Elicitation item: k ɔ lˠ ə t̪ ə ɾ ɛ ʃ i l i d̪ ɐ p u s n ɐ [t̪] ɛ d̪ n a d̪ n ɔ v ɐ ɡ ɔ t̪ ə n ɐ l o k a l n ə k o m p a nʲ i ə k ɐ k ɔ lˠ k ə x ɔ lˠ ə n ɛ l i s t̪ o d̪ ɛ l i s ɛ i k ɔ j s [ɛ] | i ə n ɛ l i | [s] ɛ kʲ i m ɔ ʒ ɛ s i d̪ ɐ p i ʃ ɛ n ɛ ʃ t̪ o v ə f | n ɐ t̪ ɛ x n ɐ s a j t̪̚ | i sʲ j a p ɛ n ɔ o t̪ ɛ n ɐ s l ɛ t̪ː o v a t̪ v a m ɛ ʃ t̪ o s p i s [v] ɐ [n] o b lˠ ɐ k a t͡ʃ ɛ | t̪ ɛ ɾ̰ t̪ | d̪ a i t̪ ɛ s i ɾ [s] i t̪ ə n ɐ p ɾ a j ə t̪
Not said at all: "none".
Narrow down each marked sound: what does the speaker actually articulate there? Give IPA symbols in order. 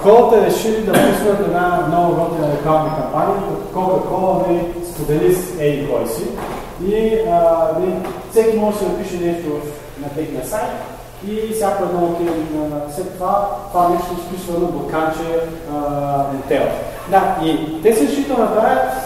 t̪, i, s, v, n, ʃ

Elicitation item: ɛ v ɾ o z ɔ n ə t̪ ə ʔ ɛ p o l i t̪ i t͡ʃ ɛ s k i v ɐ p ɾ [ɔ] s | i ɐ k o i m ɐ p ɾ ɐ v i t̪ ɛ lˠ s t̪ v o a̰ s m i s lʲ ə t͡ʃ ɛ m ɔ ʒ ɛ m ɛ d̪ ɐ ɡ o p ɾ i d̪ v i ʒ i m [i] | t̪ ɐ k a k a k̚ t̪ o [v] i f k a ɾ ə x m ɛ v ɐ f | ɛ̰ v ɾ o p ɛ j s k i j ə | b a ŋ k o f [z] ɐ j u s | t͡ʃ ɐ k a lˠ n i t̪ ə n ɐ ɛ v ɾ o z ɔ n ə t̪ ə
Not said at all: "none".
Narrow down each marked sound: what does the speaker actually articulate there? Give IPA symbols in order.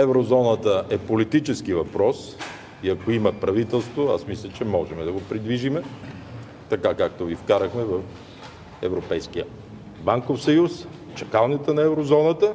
ɔ, ɛ, v, s

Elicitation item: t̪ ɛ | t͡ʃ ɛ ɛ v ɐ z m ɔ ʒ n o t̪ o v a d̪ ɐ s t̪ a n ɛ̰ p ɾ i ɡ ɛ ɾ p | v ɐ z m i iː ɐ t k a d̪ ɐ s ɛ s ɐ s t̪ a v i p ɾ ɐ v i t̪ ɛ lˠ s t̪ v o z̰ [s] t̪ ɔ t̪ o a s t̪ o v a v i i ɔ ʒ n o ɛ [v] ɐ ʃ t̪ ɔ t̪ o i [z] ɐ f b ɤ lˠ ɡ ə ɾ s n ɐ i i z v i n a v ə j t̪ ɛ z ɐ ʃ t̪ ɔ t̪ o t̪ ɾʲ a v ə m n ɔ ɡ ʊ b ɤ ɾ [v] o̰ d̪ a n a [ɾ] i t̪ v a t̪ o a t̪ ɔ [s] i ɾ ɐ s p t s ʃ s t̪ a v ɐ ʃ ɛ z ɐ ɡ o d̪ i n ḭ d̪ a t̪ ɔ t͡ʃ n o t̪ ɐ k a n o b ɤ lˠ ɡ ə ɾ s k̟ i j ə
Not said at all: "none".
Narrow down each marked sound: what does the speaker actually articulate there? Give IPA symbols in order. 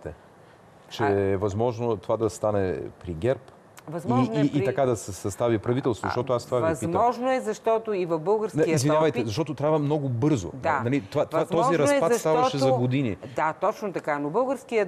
ʃ, z, v, z, l, z

